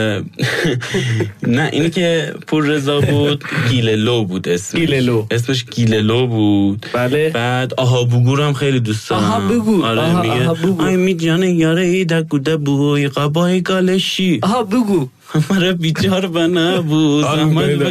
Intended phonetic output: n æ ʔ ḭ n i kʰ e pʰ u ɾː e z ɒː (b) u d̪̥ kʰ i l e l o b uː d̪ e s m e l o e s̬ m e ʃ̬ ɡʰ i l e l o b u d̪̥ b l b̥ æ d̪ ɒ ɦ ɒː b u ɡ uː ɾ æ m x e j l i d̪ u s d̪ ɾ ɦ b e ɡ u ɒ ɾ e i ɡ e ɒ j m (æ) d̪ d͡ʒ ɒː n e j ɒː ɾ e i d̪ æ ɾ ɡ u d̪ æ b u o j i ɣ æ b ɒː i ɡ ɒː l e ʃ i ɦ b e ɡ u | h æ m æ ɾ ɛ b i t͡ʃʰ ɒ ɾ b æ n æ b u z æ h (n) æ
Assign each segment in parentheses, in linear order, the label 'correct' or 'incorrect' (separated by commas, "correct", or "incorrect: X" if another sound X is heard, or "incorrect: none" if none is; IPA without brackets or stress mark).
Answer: correct, incorrect: i, incorrect: m